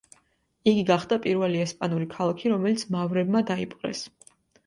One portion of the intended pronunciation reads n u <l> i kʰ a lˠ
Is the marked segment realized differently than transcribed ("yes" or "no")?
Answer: yes